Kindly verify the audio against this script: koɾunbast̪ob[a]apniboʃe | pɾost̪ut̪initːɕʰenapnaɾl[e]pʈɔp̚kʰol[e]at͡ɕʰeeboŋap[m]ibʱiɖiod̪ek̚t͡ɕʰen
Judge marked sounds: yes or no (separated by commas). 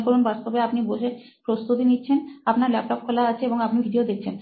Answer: no, no, no, no